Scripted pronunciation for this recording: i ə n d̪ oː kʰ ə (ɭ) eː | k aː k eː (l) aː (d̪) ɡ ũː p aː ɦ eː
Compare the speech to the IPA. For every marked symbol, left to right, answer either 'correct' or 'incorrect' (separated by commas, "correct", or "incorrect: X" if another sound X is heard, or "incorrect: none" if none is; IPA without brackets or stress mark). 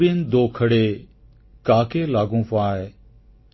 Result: incorrect: ɽ, correct, incorrect: none